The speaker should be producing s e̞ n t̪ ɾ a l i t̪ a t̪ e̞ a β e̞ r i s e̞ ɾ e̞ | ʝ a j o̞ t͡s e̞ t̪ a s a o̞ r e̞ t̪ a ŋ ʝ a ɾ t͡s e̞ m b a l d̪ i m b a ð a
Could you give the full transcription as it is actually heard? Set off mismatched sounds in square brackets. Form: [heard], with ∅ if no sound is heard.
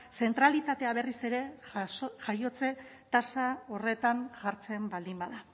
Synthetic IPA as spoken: s e̞ n t̪ ɾ a l i t̪ a t̪ e̞ a β e̞ r i s e̞ ɾ e̞ | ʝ a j o̞ t͡s e̞ t̪ a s a o̞ r e̞ t̪ a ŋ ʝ a ɾ t͡s e̞ m b a l d̪ i m b a ð a